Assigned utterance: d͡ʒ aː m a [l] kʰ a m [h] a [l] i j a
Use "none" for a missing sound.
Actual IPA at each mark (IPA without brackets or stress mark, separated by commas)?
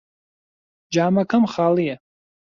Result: none, χ, l